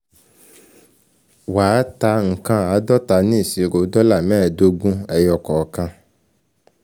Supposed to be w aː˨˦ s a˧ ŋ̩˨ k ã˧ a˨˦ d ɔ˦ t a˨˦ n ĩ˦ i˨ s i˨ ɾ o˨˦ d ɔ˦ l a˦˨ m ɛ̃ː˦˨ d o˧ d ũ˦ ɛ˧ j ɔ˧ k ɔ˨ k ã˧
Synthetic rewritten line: w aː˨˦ t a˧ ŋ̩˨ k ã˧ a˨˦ d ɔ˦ t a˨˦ n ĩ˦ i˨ s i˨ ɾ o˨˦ d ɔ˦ l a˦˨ m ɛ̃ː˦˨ d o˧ ɡ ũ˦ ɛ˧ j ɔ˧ k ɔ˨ k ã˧